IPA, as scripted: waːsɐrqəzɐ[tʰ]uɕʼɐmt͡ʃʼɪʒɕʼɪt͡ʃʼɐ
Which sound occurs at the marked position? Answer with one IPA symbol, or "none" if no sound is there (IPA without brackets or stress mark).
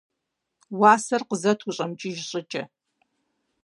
tʰ